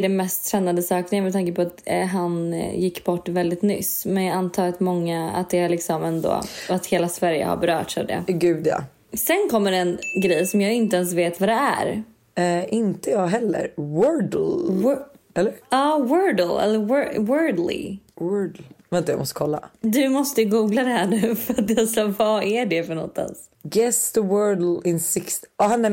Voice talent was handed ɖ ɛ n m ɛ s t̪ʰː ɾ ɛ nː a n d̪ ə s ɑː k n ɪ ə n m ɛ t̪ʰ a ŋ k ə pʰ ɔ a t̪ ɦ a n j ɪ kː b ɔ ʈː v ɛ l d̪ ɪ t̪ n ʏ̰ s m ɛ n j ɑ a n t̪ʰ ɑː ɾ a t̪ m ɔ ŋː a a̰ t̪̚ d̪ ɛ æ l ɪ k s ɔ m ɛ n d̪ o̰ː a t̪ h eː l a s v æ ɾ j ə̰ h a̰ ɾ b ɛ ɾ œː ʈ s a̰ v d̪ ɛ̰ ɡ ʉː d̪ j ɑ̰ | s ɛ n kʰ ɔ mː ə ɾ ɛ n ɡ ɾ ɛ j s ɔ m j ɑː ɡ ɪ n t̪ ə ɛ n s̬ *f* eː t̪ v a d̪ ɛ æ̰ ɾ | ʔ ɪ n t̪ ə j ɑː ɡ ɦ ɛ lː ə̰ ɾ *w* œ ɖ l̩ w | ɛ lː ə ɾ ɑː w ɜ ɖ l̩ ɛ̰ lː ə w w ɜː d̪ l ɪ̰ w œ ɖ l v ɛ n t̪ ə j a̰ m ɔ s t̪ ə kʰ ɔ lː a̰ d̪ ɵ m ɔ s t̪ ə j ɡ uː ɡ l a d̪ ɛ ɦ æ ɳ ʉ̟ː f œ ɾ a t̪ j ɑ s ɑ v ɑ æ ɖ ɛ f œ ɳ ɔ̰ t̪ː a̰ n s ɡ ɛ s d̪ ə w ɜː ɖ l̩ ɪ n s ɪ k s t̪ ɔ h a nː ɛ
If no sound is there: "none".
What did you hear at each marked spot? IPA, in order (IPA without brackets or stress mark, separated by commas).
v, w